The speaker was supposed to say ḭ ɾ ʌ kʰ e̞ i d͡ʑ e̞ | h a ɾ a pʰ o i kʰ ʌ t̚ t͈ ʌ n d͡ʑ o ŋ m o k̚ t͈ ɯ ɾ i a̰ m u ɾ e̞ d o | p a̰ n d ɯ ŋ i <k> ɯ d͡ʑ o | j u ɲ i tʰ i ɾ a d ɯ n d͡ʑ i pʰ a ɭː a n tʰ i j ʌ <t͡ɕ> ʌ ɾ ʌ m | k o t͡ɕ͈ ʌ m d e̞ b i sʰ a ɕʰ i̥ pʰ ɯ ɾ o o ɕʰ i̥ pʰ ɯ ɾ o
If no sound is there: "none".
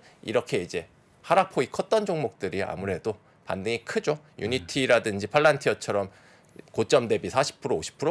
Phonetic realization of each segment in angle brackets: kʰ, t͡ɕʰ

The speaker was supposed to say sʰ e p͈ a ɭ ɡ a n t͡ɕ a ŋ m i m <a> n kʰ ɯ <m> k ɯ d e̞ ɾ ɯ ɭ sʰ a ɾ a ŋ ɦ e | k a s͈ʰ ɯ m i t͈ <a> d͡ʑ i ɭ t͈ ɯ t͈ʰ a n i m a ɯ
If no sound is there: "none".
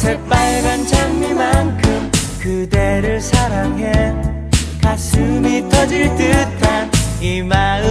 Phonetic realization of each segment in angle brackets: a, m, ʌ

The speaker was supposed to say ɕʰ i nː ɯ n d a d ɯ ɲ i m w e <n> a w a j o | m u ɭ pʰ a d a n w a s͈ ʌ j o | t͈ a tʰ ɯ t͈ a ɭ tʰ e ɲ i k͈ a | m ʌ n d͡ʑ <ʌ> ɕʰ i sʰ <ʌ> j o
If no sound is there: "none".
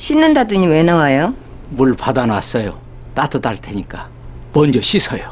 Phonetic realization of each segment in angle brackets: n, ʌ, ʌ

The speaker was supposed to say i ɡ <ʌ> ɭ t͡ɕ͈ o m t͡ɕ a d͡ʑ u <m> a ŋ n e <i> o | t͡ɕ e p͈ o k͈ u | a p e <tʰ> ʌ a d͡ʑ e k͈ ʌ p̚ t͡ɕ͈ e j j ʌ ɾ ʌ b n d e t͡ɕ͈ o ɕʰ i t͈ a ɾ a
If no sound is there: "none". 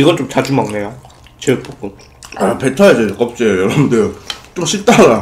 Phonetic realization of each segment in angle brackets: ʌ, m, j, tʰ

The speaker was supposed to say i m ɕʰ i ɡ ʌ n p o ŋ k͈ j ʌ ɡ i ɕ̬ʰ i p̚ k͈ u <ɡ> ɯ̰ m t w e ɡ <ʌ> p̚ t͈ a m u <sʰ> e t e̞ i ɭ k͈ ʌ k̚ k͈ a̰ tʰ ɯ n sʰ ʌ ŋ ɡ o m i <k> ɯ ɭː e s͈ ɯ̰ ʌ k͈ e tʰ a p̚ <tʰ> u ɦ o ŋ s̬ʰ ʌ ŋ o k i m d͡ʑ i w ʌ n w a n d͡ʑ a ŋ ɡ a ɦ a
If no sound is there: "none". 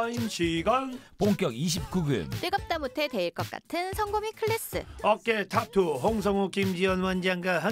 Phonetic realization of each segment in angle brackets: ɡ, ʌ, tʰ, kʰ, tʰ

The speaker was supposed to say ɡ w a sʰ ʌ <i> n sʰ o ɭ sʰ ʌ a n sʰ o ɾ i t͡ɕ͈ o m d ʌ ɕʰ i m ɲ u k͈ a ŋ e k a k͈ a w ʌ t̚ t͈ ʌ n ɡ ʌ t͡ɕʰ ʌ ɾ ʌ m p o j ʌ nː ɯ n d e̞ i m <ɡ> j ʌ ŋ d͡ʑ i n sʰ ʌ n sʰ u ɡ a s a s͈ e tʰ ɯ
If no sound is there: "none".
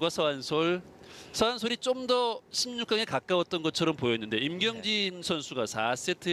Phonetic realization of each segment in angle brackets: a, ɡ

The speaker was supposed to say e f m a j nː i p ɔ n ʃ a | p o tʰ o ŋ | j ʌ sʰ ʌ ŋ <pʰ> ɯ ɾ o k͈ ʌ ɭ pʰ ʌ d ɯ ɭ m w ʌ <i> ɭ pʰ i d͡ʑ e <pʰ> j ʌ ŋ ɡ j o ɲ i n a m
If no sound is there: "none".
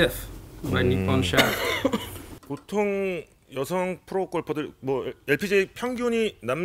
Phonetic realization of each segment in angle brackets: pʰ, e, pʰ

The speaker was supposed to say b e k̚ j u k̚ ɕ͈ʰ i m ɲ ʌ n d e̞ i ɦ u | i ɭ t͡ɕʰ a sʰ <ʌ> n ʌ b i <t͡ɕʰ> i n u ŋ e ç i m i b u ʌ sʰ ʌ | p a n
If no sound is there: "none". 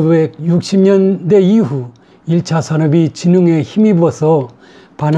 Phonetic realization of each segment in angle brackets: a, t͡ɕ

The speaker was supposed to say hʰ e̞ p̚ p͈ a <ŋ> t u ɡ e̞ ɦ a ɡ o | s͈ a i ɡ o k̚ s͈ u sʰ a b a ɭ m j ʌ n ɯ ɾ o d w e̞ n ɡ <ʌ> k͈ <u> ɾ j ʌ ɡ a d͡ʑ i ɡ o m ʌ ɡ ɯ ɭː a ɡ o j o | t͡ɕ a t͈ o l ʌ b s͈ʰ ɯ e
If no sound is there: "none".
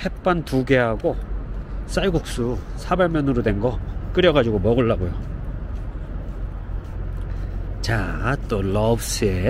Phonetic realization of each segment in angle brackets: n, ʌ, ɯ

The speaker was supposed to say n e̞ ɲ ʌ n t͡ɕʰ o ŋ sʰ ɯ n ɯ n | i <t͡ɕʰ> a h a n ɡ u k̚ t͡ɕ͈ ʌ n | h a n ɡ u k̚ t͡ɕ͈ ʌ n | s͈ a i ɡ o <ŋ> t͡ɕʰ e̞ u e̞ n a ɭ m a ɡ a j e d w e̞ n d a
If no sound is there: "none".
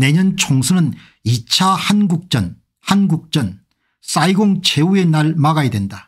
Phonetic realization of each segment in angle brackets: t͡ɕʰ, ŋ

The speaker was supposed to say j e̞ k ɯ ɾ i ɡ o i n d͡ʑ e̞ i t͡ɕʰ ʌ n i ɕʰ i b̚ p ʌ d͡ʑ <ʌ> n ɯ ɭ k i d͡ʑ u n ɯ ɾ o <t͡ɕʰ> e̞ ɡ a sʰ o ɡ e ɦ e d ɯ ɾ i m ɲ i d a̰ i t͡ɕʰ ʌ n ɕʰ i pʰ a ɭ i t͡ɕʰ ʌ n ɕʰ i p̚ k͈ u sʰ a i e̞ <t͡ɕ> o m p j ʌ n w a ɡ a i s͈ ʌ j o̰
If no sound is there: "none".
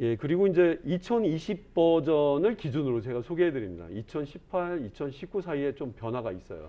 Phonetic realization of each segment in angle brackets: ʌ, t͡ɕ, t͡ɕ

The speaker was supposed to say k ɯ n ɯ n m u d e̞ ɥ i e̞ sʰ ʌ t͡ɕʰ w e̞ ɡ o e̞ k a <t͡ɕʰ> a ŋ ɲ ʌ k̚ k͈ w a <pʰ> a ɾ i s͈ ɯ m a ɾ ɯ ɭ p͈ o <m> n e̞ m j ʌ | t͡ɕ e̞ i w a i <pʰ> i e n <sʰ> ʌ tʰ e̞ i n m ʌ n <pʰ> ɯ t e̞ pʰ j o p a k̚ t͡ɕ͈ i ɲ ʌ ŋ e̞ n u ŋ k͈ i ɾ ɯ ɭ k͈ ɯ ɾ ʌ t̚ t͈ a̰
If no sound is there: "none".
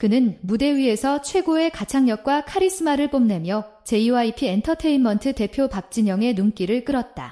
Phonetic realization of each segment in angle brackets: t͡ɕʰ, kʰ, m, pʰ, tʰ, tʰ

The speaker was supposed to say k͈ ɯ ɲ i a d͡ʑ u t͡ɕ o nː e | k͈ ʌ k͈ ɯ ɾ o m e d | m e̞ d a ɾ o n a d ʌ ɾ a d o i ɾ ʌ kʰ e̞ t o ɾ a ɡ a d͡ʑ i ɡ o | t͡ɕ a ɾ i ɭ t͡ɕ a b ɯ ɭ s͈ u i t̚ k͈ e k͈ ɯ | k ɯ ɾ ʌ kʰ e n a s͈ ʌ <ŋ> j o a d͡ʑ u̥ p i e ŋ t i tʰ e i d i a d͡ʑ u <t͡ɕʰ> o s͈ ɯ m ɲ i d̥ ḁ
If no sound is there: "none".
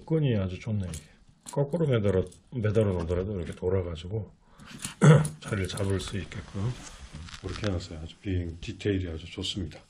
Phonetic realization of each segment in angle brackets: none, t͡ɕ

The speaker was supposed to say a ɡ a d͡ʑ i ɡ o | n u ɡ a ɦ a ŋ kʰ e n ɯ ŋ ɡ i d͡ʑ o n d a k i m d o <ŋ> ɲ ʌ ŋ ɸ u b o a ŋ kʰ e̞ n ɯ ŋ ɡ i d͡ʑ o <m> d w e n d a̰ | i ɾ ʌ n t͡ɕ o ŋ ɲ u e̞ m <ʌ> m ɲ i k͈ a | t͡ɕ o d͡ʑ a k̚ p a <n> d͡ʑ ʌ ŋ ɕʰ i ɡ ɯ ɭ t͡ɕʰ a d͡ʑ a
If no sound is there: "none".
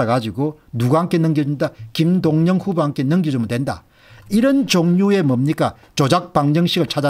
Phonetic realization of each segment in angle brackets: ŋ, m, ʌ, ŋ

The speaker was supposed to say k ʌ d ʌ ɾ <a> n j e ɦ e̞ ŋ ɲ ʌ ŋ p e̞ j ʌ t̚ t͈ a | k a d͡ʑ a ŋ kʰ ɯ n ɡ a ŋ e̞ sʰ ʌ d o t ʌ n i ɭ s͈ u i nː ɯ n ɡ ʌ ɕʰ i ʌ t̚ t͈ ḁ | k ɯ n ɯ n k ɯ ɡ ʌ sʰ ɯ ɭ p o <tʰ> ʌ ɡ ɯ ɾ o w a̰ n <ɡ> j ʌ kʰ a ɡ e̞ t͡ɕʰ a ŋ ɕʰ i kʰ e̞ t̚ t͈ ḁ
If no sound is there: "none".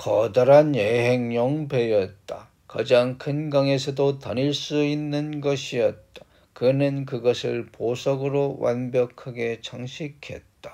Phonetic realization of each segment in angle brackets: a, sʰ, b

